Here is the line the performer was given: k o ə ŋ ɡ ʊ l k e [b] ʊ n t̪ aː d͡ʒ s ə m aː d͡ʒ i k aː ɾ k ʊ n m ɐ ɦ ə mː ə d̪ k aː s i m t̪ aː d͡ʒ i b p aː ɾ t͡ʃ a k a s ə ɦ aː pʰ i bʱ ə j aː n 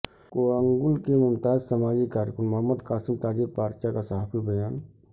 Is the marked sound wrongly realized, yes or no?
yes